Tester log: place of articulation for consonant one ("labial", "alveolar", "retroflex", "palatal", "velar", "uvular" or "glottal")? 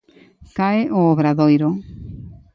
velar